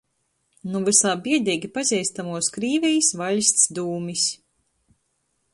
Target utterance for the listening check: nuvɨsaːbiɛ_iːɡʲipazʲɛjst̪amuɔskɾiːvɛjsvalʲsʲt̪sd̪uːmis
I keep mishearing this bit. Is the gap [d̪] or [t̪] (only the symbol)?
d̪